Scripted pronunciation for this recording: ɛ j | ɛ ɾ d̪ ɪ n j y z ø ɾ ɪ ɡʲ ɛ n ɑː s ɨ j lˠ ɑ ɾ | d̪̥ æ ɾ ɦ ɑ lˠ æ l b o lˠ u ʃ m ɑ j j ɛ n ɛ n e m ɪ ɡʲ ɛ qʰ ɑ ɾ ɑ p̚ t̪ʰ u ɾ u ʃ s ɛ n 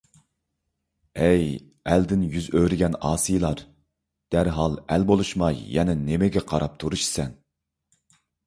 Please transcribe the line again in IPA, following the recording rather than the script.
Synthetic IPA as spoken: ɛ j | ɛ l d̪ ɪ n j y z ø ɾ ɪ ɡʲ ɛ n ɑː s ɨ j lˠ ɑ ɾ | d̪̥ æ ɾ ɦ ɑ lˠ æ l b o lˠ u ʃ m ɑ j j ɛ n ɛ n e m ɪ ɡʲ ɛ qʰ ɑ ɾ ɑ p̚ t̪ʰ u ɾ u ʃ s ɛ n